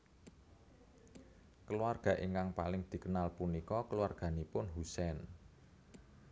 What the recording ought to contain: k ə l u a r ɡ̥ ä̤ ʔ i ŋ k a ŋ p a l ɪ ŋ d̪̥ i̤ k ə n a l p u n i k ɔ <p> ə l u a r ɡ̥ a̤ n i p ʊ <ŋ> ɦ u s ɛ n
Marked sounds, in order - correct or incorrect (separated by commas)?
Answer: incorrect, incorrect